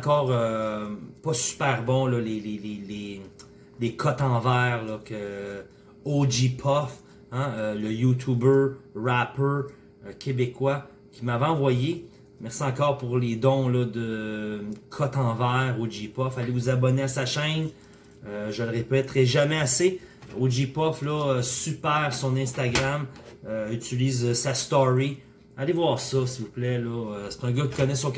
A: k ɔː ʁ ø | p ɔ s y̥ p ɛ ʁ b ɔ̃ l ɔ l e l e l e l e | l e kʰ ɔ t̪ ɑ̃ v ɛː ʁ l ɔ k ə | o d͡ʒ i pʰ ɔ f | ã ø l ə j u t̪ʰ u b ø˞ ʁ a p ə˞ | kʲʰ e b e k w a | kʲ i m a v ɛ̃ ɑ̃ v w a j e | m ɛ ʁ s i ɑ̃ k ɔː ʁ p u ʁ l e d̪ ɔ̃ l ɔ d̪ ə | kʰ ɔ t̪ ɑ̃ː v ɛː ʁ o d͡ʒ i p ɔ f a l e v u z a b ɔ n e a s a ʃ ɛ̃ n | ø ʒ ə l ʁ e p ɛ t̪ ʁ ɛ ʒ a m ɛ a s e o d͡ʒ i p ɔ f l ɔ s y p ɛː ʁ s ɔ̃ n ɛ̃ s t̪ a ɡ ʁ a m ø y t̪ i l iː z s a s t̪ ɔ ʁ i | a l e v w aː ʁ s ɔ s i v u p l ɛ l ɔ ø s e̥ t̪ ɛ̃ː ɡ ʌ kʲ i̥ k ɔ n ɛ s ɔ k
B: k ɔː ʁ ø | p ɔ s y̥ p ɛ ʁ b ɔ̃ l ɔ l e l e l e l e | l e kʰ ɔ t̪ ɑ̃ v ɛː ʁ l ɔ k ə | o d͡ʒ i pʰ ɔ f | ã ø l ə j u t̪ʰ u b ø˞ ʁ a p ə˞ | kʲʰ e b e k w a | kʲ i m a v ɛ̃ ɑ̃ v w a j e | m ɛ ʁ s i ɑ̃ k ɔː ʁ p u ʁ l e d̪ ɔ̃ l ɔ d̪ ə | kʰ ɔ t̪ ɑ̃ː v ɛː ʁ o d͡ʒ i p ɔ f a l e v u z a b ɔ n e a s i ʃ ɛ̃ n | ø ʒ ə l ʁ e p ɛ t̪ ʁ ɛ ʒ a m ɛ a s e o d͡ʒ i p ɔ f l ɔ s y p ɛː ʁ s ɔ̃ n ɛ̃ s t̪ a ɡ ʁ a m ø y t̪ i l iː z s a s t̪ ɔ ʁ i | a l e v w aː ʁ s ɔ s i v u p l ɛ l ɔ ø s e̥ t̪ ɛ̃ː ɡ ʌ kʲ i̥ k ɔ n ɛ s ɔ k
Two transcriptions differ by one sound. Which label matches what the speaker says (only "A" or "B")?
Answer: A